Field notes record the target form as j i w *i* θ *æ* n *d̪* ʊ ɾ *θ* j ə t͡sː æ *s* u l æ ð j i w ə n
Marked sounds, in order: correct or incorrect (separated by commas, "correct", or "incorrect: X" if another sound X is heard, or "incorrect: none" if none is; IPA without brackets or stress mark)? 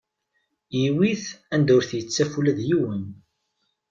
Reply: correct, correct, correct, correct, incorrect: f